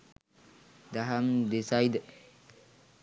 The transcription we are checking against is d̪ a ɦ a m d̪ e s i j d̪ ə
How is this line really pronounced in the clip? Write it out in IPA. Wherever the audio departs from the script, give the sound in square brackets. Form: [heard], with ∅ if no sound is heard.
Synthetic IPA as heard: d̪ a ɦ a m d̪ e s [a] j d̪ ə

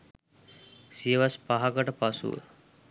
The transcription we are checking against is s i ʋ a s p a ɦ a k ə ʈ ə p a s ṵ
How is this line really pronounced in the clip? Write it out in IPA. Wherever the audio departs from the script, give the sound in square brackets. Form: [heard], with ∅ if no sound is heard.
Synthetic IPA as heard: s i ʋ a s p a ɦ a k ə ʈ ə p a s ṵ

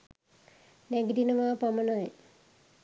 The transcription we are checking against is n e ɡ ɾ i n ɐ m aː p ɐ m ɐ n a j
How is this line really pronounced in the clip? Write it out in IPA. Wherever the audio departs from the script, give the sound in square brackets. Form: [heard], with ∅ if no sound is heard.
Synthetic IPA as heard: n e ɡ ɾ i n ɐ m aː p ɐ m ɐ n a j

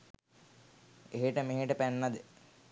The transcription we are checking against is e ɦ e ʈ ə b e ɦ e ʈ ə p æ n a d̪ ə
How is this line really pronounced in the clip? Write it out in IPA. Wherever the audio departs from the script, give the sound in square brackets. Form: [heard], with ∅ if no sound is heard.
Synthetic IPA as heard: e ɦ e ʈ ə [m] e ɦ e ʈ ə p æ [nː] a d̪ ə

